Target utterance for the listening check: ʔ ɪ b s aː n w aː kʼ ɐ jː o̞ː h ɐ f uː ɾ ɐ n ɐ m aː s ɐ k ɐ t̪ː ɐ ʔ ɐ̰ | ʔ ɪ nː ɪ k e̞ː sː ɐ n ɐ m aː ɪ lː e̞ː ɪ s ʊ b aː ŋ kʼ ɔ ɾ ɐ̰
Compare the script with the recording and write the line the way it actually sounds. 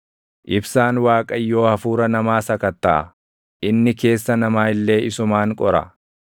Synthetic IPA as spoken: ʔ ɪ b s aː n w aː kʼ ɐ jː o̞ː h ɐ f uː ɾ ɐ n ɐ m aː s ɐ k ɐ t̪ː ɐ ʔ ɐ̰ | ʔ ɪ nː ɪ k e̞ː sː ɐ n ɐ m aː ɪ lː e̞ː ɪ s ʊ m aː ŋ kʼ ɔ ɾ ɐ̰